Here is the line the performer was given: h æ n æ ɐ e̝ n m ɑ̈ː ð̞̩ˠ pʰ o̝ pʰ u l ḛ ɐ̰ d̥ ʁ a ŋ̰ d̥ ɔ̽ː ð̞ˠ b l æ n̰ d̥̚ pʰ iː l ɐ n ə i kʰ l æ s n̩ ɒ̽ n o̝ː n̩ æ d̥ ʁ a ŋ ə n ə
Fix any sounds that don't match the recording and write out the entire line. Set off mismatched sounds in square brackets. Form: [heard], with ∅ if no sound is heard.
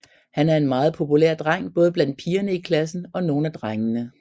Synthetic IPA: h æ n æ ɐ e̝ n m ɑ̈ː ð̞̩ˠ pʰ o̝ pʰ u l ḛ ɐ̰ d̥ ʁ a ŋ̰ [b̥] ɔ̽ː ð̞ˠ b l æ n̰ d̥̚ pʰ iː [∅] ɐ n ə i kʰ l æ s n̩ ɒ̽ n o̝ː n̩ æ d̥ ʁ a ŋ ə n ə